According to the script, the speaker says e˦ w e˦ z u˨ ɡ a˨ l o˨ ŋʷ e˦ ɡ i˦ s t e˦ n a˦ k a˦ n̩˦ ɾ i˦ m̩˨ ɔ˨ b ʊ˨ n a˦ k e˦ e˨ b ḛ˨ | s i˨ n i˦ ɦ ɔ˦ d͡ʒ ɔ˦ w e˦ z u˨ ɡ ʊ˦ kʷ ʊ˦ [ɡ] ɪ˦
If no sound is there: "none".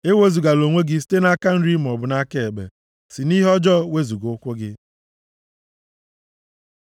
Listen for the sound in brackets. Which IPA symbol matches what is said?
ɡ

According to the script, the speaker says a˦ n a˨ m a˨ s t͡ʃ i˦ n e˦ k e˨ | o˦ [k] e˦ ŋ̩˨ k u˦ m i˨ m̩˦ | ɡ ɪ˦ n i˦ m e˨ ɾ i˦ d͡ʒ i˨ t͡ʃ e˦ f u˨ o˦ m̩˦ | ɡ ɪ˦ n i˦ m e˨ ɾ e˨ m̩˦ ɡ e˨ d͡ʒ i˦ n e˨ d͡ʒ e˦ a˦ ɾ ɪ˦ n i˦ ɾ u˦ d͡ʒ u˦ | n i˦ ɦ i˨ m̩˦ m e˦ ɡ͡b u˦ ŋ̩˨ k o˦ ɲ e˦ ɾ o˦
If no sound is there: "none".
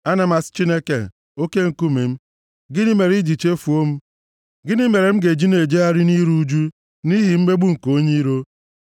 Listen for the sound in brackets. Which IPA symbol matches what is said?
k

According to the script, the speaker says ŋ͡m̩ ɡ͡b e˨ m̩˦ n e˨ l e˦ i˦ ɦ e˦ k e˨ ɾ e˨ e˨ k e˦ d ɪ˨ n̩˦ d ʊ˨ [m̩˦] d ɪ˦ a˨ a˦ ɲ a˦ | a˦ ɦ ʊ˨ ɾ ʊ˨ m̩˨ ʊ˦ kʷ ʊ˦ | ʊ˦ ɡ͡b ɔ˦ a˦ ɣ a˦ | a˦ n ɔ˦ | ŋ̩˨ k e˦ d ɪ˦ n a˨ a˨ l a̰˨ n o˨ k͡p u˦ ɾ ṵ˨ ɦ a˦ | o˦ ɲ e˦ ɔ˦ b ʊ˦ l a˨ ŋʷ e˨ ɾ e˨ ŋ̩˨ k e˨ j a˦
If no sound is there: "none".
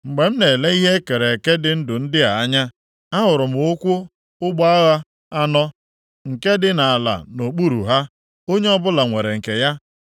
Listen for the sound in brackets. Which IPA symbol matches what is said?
n̩˦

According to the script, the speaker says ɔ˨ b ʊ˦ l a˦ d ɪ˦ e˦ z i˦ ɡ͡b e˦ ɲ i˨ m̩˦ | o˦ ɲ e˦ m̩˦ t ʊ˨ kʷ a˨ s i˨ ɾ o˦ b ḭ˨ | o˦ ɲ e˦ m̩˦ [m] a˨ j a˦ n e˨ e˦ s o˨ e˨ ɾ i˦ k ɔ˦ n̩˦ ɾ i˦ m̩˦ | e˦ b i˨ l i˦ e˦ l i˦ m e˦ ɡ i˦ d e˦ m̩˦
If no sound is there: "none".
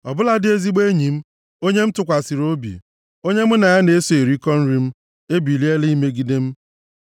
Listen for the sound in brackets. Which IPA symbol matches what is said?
n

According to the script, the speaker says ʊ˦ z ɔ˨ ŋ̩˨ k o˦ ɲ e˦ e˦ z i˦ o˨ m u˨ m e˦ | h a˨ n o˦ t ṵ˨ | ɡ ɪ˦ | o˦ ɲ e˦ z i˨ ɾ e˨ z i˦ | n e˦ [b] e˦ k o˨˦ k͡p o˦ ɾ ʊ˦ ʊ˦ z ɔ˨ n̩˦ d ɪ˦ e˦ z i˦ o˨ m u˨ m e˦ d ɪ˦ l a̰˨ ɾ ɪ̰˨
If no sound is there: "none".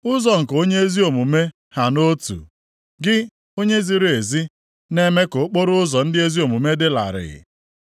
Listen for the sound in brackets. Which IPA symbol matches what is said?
m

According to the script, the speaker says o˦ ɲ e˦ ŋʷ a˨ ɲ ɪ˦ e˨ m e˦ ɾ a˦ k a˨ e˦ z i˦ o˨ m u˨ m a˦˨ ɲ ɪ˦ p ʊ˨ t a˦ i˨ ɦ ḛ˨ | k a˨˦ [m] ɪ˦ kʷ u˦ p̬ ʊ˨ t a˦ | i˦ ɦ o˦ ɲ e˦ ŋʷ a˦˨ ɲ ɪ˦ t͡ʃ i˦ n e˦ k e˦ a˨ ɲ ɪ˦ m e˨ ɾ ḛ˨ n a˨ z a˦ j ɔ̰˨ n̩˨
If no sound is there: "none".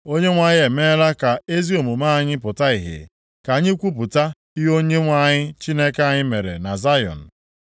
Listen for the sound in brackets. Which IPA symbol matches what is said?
ɲ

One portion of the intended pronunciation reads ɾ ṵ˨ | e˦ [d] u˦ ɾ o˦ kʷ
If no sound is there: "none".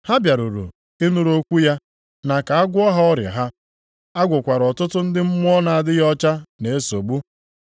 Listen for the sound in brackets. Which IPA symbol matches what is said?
n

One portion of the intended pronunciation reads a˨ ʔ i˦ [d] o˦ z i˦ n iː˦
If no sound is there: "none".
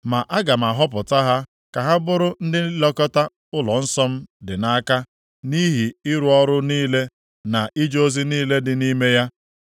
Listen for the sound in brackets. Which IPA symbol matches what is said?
d͡ʒ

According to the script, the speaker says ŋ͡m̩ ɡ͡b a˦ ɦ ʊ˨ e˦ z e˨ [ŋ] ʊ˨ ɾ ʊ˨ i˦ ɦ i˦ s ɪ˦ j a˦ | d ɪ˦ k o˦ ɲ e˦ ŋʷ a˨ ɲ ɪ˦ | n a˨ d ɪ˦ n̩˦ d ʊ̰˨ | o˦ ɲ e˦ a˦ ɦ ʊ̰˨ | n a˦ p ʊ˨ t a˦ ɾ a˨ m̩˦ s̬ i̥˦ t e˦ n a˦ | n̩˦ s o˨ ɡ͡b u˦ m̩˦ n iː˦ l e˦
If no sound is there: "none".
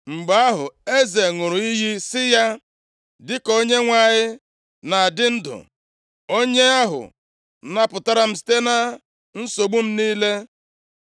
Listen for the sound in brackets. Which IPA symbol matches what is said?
ŋ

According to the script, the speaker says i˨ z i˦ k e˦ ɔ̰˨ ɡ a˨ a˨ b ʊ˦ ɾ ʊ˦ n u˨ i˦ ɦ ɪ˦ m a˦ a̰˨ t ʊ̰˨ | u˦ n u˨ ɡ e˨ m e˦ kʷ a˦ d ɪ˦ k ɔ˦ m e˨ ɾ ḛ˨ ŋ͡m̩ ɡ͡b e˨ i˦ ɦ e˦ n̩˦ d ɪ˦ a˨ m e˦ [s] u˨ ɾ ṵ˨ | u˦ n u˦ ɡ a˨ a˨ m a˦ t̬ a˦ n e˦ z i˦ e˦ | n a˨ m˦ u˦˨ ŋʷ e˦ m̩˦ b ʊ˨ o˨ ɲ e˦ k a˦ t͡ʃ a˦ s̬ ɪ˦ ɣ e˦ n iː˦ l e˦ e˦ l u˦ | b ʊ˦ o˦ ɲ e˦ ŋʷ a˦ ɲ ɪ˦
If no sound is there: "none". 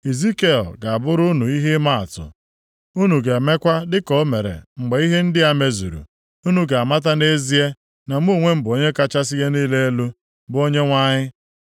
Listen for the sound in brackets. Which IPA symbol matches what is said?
z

